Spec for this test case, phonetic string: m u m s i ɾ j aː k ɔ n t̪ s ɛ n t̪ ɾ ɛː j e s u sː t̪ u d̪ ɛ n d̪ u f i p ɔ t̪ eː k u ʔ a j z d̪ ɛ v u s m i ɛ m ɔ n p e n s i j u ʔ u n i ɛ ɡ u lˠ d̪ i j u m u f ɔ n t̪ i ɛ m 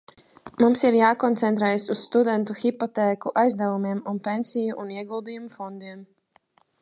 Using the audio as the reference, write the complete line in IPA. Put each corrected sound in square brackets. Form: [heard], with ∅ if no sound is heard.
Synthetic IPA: m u m s i ɾ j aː k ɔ n t̪ s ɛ n t̪ ɾ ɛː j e s u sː t̪ u d̪ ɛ n [t̪] u [x] i p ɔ t̪ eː k u ʔ a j z d̪ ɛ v u [∅] m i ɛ m [u] n p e n s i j u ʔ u n i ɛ ɡ u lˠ d̪ i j u m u f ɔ n [d̪] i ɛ m